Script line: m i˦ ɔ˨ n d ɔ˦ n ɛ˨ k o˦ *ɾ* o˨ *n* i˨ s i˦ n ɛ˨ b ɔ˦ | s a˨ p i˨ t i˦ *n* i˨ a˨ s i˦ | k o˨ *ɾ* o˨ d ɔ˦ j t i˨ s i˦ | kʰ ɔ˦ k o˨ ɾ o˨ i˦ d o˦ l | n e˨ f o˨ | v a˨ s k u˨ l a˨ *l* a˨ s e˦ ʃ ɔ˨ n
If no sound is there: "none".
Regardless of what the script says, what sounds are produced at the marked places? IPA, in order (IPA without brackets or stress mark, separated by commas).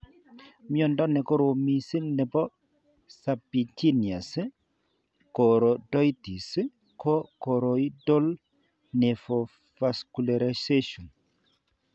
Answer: ɾ, m, n, ɾ, ɾ